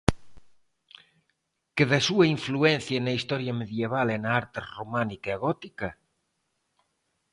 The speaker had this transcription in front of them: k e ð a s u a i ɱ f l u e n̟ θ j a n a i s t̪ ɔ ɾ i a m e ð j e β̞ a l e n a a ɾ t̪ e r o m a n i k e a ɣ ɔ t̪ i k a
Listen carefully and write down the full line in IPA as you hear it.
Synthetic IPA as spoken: k e ð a s u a i ɱ f l u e n̟ θ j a n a i s t̪ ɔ ɾ j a m e ð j e β̞ a l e n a a ɾ t̪ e r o m a n i k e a ɣ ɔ t̪ i k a